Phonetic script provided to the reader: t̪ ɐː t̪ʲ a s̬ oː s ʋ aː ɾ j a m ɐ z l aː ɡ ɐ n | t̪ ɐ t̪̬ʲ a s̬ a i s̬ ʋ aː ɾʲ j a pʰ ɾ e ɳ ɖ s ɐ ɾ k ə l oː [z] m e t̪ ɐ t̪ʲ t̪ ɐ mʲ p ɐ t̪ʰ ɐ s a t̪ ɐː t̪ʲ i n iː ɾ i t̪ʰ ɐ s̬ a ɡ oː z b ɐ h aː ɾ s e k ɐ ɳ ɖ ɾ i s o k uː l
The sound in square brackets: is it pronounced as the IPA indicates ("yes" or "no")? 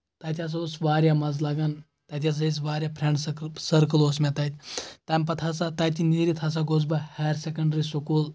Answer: no